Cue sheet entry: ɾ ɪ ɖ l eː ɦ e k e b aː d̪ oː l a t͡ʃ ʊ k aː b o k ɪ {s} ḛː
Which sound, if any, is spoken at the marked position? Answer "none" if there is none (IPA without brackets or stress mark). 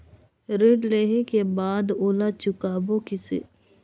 s